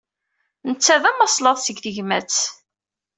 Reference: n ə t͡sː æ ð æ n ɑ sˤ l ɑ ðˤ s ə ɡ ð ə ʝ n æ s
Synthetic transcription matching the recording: n ə t͡sː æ ð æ m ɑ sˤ l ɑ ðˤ s ə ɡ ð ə ʝ m æ t͡s